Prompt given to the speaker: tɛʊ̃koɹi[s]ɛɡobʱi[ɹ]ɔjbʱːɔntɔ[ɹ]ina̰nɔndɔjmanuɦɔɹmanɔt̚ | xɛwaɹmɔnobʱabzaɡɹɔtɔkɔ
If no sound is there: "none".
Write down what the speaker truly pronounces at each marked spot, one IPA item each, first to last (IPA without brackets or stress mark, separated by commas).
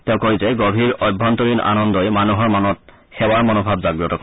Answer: z, ɹ, ɹ